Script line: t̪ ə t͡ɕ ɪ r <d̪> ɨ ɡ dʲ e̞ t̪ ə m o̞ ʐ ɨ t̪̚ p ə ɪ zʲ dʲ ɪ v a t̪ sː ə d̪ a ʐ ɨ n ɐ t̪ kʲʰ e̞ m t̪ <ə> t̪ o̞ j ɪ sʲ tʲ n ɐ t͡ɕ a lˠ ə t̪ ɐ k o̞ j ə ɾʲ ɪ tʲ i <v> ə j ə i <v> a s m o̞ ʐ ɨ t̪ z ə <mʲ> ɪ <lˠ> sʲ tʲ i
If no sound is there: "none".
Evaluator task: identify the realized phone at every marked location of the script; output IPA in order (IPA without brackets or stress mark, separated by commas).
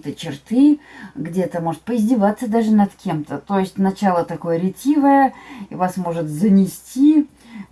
t̪, ə, v, v, nʲ, none